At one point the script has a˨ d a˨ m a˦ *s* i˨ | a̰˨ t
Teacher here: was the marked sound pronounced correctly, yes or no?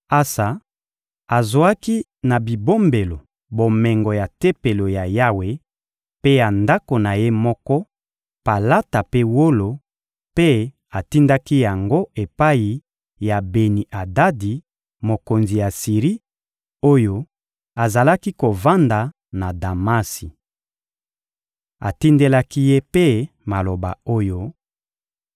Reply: yes